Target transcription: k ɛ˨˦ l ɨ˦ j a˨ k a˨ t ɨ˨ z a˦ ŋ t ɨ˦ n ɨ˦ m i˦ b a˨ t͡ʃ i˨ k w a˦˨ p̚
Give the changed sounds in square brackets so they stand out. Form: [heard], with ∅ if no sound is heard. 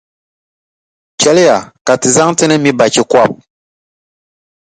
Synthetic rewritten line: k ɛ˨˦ l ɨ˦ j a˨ k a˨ t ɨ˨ z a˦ ŋ t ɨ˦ n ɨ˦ m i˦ b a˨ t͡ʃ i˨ k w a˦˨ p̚